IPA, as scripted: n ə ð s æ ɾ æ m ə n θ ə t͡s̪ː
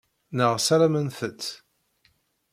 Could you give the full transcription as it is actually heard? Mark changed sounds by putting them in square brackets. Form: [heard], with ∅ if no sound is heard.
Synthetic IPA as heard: n ə [ʁ] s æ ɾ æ m ə n θ ə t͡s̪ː